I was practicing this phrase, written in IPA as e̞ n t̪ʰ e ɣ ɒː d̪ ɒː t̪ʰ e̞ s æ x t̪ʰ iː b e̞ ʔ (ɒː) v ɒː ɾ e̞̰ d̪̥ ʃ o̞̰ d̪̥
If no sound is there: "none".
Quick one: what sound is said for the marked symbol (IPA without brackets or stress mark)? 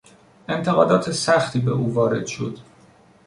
uː